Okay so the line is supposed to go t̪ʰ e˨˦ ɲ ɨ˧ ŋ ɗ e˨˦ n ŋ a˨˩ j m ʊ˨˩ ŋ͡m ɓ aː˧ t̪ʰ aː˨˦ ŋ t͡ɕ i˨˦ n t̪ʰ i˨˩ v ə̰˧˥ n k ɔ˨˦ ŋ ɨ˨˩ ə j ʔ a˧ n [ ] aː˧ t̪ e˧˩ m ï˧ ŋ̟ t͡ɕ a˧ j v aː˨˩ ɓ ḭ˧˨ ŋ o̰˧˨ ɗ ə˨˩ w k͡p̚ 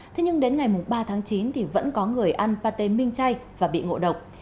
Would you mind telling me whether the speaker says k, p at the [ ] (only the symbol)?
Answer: p